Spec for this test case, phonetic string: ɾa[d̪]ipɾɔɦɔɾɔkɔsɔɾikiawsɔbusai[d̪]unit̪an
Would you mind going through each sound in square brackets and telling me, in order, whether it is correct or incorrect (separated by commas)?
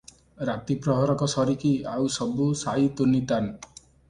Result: incorrect, incorrect